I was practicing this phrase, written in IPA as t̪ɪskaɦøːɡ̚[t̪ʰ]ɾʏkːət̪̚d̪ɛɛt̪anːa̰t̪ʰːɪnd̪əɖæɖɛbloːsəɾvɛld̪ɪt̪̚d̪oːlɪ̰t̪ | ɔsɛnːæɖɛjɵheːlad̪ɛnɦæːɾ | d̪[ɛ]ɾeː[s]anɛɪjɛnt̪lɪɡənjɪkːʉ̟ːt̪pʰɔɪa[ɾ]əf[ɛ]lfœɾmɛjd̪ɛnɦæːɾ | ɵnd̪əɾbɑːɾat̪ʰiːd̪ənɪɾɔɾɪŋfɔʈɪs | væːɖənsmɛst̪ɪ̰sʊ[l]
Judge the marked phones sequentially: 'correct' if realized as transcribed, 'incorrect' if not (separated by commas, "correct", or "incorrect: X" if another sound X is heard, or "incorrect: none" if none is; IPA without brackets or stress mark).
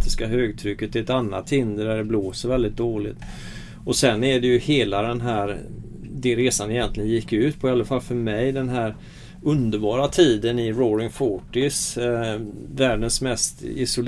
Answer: correct, correct, correct, incorrect: l, incorrect: a, correct